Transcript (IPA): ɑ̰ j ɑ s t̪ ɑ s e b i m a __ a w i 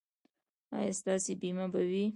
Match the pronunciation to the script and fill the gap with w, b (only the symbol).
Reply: b